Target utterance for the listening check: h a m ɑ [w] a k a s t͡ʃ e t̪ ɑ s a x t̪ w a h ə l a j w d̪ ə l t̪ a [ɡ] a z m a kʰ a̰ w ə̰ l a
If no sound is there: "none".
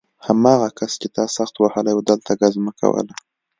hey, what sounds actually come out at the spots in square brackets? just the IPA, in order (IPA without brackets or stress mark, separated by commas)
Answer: ɣ, ɡ